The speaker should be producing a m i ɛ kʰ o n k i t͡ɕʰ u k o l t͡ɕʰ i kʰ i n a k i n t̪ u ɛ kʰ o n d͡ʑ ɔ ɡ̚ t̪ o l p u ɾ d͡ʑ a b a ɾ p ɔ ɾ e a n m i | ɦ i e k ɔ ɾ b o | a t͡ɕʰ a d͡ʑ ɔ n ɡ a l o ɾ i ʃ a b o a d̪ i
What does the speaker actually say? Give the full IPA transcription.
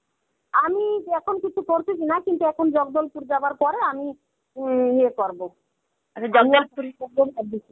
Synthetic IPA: a m i ɛ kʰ o n k i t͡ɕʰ u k o ɾ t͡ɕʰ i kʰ i n a k i n t̪ u ɛ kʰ o n d͡ʑ ɔ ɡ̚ d̪ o l p u ɾ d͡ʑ a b a ɾ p ɔ ɾ e a m i | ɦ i e k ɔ ɾ b o | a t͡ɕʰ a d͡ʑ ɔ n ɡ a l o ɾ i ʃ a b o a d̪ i